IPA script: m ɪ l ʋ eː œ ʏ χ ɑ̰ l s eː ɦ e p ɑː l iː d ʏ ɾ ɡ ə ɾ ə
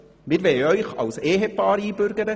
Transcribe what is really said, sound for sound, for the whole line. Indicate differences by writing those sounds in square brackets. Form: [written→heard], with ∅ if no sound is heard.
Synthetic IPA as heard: m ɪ [l→ɾ] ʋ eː œ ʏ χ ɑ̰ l s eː ɦ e p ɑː [l→ɾ] iː [d→b] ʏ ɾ ɡ ə ɾ ə